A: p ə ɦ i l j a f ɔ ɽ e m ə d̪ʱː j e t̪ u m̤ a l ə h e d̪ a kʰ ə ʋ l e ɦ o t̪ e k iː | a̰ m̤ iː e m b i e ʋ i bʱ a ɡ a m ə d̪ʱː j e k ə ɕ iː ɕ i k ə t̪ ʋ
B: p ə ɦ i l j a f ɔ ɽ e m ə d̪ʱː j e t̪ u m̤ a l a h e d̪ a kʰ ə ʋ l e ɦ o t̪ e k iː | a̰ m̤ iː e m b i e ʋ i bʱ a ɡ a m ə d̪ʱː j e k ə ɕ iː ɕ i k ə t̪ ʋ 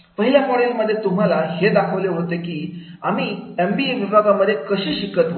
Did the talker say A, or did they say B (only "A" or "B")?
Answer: B